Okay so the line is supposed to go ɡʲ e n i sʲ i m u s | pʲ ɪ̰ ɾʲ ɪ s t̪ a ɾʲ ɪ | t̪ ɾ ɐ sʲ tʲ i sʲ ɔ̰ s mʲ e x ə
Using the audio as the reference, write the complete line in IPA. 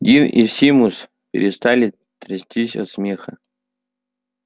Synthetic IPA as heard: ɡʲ i n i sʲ i m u s | pʲ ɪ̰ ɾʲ ɪ s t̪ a lʲ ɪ | t̪ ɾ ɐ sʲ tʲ i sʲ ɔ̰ s mʲ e x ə